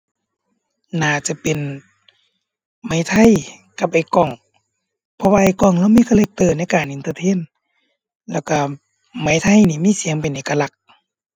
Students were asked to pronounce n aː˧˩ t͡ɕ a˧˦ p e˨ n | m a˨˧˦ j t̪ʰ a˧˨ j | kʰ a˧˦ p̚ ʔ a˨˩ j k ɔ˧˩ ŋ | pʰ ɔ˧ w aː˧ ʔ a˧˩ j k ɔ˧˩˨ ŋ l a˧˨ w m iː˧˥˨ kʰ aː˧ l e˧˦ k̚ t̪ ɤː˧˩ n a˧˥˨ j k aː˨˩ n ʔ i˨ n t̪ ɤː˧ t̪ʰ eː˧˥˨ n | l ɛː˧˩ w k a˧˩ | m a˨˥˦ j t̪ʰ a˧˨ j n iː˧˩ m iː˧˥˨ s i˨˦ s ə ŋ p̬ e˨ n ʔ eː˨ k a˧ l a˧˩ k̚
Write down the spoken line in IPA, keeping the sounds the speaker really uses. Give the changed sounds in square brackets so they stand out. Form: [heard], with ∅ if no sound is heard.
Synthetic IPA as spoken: n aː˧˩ t͡ɕ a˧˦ p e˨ n | m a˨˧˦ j t̪ʰ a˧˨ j | [k] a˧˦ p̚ ʔ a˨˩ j k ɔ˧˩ ŋ | pʰ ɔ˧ w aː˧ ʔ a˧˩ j k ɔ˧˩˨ ŋ l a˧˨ w m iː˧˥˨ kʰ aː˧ l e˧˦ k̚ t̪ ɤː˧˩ n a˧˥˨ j k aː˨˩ n ʔ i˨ n t̪ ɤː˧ t̪ʰ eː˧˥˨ n | l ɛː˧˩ w k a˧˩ | m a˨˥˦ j t̪ʰ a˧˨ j n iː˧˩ m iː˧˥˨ s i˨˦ [∅] ə ŋ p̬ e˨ n ʔ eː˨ k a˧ l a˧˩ k̚

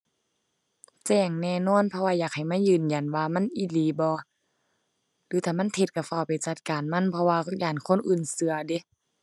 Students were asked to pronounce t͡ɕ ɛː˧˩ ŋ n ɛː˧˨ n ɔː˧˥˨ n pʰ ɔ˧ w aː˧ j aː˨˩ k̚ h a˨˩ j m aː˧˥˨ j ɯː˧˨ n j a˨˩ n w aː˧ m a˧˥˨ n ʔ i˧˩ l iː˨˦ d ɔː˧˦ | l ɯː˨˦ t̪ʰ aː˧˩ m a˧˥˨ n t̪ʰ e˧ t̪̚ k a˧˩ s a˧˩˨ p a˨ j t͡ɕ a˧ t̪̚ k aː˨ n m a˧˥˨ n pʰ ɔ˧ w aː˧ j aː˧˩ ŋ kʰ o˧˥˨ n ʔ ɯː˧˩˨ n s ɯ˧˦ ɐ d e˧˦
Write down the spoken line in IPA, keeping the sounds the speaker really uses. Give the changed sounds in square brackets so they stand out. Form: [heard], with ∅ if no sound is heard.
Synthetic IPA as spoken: t͡ɕ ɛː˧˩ ŋ n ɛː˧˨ n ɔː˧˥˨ n pʰ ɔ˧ w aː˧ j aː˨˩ k̚ h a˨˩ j m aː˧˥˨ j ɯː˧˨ n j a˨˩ n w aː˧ m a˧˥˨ n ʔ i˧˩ l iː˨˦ [b] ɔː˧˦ | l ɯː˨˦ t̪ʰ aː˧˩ m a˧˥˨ n t̪ʰ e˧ t̪̚ k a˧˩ [f] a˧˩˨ p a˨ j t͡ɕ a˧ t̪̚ k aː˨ n m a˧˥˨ n pʰ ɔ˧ w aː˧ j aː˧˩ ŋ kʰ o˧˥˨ n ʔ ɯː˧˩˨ n s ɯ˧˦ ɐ d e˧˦

